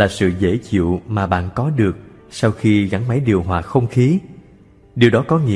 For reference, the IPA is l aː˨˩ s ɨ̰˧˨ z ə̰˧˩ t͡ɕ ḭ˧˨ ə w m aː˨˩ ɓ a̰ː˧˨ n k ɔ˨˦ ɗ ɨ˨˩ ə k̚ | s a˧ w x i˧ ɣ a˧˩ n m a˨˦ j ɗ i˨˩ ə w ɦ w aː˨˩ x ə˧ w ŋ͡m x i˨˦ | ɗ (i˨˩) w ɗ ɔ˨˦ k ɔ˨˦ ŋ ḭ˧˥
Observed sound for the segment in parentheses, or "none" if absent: i˨˩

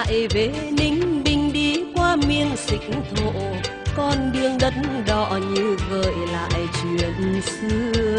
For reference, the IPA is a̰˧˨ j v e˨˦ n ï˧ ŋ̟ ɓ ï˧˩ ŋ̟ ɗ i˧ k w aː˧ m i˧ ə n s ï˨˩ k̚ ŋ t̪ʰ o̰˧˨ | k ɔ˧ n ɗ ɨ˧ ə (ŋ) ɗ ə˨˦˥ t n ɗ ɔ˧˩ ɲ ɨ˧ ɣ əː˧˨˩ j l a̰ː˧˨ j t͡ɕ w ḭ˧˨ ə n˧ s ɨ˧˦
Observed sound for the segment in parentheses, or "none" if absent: ŋ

